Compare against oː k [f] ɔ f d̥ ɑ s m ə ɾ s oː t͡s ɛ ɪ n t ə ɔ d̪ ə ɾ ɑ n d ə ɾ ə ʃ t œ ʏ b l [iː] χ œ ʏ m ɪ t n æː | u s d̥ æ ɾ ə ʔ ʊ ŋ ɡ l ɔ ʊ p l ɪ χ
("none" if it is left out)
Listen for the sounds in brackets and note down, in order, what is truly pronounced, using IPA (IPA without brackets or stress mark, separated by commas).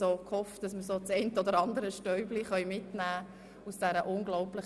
h, i